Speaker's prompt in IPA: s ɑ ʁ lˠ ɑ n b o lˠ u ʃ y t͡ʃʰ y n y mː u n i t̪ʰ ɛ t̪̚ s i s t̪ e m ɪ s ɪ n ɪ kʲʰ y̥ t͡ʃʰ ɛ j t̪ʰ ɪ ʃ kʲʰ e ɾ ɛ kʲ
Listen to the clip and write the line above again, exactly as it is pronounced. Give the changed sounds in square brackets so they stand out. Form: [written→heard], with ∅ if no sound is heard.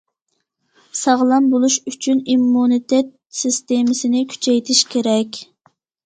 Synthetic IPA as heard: s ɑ ʁ lˠ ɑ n b o lˠ u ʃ y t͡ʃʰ y n [y→i] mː u n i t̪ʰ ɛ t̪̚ s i s t̪ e m ɪ s ɪ n ɪ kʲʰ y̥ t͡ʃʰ ɛ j t̪ʰ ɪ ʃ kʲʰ e ɾ ɛ kʲ